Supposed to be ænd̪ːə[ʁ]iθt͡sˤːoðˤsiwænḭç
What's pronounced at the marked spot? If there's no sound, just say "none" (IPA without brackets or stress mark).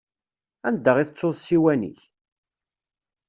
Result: ʁ